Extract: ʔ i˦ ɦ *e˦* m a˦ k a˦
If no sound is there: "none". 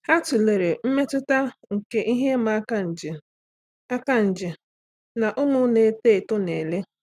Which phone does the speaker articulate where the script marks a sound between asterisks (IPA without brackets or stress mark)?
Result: e˦